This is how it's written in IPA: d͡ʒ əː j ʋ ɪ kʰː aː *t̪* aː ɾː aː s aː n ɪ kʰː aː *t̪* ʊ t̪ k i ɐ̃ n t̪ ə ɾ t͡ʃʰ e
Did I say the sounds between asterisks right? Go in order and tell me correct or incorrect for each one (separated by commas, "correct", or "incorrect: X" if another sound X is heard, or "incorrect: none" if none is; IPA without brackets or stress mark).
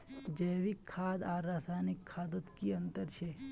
incorrect: d̪, incorrect: d̪